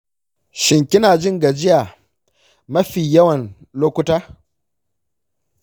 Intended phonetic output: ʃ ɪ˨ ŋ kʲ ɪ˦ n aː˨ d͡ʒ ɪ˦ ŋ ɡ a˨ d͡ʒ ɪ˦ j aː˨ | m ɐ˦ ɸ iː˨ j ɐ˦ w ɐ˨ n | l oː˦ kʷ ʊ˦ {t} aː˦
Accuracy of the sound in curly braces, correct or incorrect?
correct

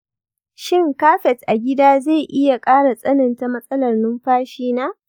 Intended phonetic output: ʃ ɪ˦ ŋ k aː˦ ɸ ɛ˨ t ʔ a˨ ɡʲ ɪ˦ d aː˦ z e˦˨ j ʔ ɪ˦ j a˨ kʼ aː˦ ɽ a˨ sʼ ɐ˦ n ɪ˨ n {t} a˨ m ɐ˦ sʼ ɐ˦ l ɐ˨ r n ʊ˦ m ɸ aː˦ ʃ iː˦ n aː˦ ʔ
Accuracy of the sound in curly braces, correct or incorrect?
correct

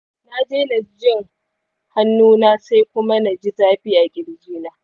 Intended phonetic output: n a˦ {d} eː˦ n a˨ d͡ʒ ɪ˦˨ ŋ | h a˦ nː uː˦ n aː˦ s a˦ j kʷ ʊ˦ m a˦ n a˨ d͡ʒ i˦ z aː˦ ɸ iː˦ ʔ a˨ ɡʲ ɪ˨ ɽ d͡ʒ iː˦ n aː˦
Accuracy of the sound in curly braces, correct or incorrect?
incorrect: d͡ʒ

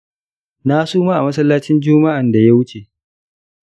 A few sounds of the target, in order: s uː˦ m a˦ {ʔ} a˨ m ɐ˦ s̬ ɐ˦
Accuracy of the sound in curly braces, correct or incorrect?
correct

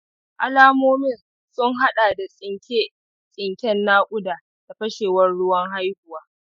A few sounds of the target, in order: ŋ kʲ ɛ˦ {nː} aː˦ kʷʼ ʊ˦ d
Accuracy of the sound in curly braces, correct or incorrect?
correct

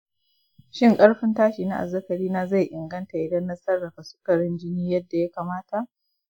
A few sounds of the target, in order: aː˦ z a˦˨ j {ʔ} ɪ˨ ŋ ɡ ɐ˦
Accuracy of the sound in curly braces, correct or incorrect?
correct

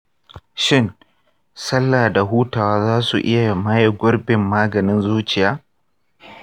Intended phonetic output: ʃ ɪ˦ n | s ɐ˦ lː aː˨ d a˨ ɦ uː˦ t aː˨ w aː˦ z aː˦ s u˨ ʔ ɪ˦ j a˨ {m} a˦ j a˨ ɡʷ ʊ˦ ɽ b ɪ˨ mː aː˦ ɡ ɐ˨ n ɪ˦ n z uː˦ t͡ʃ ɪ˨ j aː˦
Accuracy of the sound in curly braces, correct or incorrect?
correct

